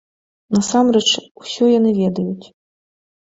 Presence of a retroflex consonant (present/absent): present